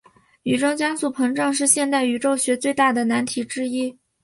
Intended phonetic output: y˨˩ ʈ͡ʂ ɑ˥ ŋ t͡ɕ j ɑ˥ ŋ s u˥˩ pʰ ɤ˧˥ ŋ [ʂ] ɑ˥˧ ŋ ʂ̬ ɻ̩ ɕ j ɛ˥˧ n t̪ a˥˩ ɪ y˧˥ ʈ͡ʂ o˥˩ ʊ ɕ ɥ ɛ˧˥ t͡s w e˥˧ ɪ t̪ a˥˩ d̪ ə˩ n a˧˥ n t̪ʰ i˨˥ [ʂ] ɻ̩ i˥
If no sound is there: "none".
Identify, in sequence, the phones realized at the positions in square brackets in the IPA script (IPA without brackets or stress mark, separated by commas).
ʈ͡ʂ, ʈ͡ʂ